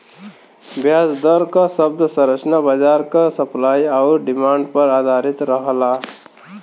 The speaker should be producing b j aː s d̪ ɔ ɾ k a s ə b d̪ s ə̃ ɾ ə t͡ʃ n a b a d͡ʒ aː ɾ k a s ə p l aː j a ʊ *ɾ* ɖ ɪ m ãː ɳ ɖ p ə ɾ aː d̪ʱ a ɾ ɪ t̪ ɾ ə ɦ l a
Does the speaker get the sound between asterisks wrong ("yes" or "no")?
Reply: no